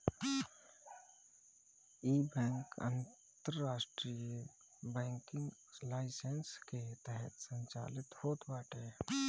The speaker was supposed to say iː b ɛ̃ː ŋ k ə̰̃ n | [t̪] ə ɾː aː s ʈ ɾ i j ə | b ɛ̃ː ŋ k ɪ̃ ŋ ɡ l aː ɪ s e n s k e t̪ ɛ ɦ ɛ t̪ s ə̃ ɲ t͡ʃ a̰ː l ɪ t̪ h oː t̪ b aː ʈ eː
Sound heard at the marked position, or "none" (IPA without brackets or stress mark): t̪